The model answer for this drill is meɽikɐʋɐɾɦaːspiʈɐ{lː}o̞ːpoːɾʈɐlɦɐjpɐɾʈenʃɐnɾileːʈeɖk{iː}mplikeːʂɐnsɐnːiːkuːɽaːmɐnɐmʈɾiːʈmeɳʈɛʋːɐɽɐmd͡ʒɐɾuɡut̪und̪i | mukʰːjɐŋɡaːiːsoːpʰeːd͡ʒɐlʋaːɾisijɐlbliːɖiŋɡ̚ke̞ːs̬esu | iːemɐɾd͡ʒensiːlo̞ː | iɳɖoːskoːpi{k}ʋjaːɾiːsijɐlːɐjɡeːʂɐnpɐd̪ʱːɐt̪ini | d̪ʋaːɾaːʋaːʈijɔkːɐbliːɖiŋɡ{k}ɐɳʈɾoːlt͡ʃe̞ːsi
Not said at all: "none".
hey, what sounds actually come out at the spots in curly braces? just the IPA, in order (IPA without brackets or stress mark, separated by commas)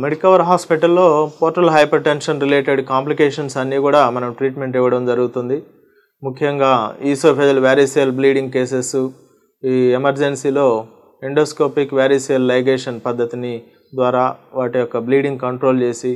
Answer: lː, aː, k, k